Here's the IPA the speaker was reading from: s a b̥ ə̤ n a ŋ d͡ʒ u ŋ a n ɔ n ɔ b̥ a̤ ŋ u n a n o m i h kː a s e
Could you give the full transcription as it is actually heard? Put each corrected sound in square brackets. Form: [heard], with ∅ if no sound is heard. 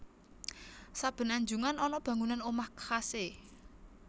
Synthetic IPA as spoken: s a b̥ ə̤ n a [ɲ] d͡ʒ u ŋ a n ɔ n ɔ b̥ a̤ ŋ u n a n o m [a] h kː a s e